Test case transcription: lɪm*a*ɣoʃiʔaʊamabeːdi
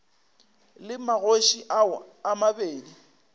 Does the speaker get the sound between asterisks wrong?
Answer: no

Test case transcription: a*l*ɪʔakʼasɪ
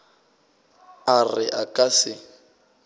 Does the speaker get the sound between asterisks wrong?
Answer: yes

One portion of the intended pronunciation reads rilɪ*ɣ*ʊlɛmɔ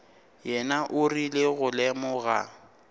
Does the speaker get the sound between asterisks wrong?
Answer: no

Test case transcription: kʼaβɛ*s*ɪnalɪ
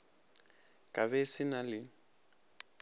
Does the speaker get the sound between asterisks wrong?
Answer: no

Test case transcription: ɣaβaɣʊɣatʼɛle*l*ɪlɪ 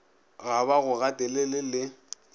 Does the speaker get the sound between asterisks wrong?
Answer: no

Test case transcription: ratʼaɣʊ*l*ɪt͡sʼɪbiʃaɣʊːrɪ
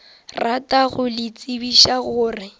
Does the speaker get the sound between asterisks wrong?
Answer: no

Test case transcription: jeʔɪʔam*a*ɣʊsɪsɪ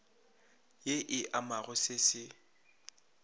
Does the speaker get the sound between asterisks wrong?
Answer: no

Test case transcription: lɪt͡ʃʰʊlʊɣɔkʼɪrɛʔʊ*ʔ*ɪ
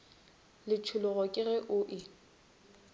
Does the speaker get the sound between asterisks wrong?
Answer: no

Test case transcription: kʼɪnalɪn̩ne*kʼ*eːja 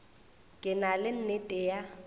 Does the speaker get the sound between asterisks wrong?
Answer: yes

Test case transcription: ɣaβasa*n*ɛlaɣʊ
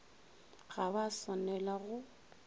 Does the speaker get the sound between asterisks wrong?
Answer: no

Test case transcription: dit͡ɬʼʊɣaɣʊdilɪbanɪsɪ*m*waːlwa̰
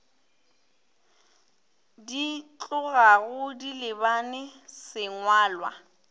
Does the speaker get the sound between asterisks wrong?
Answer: yes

